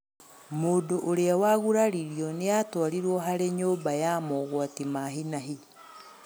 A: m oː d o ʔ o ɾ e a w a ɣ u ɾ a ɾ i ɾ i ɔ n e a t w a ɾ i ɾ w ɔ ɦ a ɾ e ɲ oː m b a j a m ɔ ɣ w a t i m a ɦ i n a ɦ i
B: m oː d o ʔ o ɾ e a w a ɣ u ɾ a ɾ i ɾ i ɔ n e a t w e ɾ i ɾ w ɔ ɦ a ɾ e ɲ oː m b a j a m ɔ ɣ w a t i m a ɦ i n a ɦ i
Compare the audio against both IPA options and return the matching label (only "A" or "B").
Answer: A